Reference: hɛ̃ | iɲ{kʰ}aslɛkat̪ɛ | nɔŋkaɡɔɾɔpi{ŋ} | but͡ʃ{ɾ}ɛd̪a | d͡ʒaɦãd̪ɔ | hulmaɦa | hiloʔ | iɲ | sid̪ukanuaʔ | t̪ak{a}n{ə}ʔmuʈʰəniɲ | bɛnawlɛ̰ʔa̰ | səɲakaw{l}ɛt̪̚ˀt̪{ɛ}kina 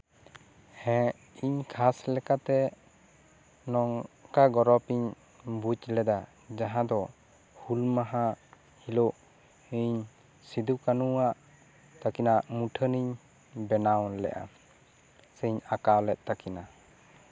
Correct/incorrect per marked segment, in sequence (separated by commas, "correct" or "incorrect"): correct, incorrect, incorrect, incorrect, incorrect, correct, incorrect